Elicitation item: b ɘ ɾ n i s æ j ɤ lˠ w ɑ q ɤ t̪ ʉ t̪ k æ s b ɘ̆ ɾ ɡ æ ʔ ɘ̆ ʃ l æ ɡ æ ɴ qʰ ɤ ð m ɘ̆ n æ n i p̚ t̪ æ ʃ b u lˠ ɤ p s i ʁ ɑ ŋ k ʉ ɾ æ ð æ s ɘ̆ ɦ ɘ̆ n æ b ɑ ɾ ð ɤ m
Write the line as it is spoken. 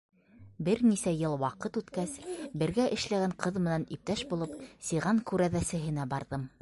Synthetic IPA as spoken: b ɘ ɾ n i s æ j ɤ lˠ w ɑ q ɤ t̪ ʉ t̪ k æ s b ɘ̆ ɾ ɡ æ ʔ ɘ̆ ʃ l æ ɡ æ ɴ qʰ ɤ ð m ɘ̆ n æ n i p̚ t̪ æ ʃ b u lˠ ɤ p s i ʁ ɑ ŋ k ʉ ɾ æ ð æ s ɘ̆ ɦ ɘ̆ n æ b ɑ ɾ ð ɤ m